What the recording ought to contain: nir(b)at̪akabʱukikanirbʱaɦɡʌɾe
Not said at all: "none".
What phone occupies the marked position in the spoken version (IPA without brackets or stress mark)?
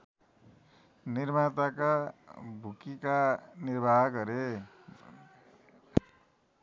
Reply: m